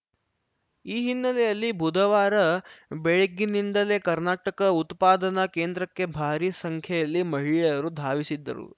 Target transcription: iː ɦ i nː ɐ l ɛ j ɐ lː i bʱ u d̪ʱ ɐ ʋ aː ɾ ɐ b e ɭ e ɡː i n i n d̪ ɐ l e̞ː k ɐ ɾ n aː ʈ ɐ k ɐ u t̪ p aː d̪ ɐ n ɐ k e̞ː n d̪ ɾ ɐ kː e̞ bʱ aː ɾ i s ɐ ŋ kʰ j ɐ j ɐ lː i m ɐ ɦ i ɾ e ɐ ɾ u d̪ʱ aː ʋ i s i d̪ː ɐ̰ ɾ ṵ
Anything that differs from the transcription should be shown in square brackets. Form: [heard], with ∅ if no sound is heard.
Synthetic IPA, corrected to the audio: iː ɦ i nː ɐ l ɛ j ɐ lː i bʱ u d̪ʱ ɐ ʋ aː ɾ ɐ b e ɭ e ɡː i n i n d̪ ɐ l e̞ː k ɐ ɾ n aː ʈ ɐ k ɐ u t̪ p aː d̪ ɐ n ɐ k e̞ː n d̪ ɾ ɐ kː e̞ bʱ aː ɾ i s ɐ ŋ kʰ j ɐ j ɐ lː i m ɐ ɦ i [ɭ] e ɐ ɾ u d̪ʱ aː ʋ i s i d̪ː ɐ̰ ɾ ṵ